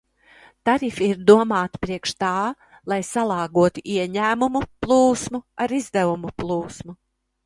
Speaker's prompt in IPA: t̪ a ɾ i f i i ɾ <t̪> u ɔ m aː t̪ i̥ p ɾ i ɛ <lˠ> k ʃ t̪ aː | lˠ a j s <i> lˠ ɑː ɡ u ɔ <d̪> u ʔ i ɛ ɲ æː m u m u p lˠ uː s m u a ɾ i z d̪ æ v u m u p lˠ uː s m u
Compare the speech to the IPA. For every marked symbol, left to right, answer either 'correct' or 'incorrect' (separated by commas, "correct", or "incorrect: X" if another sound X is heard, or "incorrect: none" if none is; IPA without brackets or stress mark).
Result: incorrect: d̪, incorrect: none, incorrect: a, incorrect: t̪